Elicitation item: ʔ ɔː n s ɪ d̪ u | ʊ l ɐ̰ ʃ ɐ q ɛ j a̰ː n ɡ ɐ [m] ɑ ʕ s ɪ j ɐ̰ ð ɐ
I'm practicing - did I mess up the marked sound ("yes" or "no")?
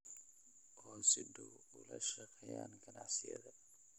yes